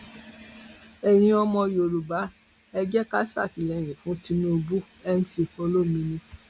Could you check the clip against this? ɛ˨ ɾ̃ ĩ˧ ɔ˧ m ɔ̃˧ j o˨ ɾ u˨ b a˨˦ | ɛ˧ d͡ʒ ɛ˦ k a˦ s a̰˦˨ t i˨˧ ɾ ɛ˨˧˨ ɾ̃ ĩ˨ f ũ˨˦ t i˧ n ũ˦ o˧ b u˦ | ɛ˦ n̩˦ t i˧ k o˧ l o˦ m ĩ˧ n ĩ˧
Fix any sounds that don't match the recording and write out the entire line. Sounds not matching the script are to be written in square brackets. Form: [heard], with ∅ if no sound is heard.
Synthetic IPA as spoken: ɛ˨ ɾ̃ ĩ˧ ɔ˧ m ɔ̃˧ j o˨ ɾ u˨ b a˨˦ | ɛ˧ d͡ʒ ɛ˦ k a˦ s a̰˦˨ t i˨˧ [l] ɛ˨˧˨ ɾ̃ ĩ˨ f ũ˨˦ t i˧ n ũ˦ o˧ b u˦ | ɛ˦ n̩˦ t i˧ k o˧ l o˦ m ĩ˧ n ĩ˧